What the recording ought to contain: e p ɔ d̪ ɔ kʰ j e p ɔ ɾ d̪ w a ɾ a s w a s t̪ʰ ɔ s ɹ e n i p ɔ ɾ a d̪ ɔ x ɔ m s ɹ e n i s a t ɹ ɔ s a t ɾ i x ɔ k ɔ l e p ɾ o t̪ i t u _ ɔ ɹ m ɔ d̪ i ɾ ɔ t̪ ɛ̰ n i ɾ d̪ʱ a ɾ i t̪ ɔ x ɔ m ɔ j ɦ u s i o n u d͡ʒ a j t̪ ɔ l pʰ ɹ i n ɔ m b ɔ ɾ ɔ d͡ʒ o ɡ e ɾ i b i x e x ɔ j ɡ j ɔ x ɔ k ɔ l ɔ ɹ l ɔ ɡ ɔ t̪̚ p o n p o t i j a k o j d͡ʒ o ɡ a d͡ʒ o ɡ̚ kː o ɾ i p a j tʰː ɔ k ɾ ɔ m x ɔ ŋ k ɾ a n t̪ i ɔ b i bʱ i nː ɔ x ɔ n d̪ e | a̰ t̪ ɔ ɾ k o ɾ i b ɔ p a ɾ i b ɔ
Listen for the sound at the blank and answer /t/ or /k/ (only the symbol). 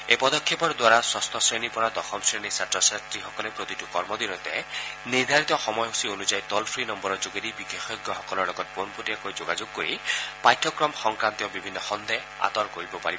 k